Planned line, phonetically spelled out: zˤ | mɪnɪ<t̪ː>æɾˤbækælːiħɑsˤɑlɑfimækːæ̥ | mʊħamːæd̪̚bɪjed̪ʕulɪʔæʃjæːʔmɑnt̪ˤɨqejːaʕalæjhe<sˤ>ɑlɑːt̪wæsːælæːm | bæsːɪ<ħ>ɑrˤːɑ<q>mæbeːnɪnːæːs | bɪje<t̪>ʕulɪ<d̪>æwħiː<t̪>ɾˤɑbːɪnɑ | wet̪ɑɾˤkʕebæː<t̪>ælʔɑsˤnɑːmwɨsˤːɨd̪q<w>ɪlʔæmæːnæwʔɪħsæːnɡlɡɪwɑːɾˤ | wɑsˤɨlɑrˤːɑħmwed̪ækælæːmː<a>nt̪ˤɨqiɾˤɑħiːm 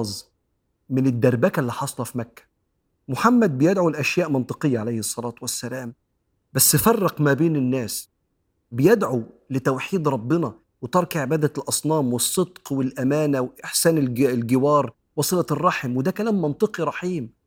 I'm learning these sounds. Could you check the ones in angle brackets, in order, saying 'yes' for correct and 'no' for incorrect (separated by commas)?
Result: no, no, no, yes, no, no, no, no, yes, no